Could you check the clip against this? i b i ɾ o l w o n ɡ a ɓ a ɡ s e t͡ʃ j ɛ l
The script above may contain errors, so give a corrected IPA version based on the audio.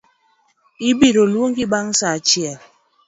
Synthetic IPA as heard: i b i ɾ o l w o ŋ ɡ i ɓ a ŋ s a t͡ʃ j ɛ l